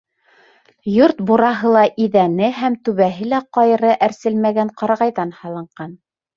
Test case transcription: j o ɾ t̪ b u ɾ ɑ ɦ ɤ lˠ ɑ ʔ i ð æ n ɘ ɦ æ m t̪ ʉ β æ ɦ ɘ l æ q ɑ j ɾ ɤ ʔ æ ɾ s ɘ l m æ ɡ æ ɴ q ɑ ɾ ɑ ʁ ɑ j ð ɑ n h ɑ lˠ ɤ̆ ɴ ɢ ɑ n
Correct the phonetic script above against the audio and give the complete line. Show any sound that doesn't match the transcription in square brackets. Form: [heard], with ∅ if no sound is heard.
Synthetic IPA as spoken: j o ɾ t̪ b u ɾ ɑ ɦ ɤ lˠ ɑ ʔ i ð æ n ɘ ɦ æ m t̪ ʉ β æ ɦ ɘ l æ q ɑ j ɾ ɤ ʔ æ ɾ s ɘ l m æ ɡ æ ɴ q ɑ ɾ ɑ ʁ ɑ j ð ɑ n h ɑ lˠ ɤ̆ ɴ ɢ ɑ n